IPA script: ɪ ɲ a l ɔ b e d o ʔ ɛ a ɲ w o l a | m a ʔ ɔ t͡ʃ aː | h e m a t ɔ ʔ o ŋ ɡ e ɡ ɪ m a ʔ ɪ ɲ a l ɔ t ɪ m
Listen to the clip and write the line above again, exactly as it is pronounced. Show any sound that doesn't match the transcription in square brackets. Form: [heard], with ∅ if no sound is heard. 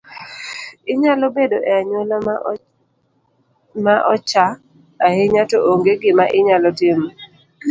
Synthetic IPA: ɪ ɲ a l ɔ b e d o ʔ ɛ a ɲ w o l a | m a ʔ ɔ t͡ʃ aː | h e [ɲ] a t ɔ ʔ o ŋ ɡ e ɡ ɪ m a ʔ ɪ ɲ a l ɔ t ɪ m